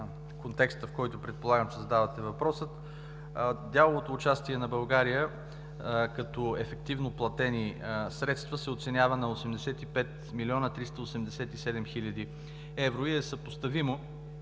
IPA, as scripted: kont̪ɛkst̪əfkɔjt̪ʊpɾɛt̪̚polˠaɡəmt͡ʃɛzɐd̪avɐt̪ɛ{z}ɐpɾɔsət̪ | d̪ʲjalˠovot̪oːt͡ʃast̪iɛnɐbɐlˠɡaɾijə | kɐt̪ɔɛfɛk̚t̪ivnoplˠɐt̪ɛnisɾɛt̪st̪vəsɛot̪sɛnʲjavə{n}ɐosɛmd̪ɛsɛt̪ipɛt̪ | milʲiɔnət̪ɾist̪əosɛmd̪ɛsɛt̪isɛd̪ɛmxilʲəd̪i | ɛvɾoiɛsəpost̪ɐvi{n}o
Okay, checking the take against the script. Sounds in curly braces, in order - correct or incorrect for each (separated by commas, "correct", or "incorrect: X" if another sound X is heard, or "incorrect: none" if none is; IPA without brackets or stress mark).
incorrect: v, correct, incorrect: m